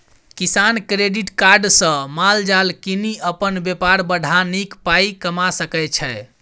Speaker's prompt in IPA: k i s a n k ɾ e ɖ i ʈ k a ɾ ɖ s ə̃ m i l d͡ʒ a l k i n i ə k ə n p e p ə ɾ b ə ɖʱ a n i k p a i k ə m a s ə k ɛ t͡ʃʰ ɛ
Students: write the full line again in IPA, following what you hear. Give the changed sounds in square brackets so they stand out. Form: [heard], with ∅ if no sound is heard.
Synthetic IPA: k i s a n k ɾ e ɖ i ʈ k a ɾ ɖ s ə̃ m [a] l d͡ʒ a l k i n i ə [p] ə n [b] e p [a] ɾ b ə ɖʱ a n i k p a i k ə m a s ə k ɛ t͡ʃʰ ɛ